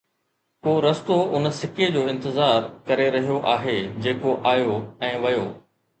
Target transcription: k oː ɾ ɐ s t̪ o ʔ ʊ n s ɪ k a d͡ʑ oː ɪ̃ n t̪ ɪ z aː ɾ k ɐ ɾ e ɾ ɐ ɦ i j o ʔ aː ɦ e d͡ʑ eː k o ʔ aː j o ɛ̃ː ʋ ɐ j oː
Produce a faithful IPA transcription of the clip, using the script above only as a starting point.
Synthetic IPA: k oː ɾ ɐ s t̪ o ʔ ʊ n s ɪ k e d͡ʑ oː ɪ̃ n t̪ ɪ z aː ɾ k ɐ ɾ e ɾ ɐ ɦ i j o ʔ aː ɦ e d͡ʑ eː k o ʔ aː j o ɛ̃ː ʋ ɐ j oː